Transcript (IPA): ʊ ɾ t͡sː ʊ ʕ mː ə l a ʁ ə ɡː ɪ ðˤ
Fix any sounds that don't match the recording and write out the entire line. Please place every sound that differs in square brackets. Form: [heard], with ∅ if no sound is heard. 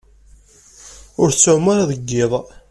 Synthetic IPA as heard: ʊ ɾ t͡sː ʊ ʕ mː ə [ɾ] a [ð] ə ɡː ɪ ðˤ